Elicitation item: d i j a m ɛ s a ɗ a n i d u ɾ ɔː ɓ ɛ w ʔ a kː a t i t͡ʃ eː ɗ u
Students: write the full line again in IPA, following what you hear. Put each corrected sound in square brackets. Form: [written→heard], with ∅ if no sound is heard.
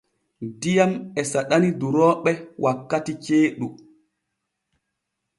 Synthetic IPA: d i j a m ɛ s a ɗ a n i d u ɾ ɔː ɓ ɛ w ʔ a kː a t i t͡ʃ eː ɗ u